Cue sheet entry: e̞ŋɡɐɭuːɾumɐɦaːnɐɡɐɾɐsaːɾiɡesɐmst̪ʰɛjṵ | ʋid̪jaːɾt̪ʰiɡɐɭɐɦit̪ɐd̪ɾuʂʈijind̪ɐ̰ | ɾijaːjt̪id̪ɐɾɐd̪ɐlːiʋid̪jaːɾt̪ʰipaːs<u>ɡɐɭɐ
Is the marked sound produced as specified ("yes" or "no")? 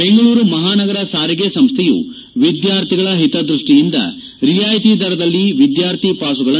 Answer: yes